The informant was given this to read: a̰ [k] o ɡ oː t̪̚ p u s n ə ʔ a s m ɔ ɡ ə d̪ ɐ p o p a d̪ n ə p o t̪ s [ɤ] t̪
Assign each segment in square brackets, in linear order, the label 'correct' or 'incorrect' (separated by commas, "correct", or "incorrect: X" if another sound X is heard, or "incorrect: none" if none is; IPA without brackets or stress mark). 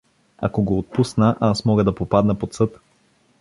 correct, correct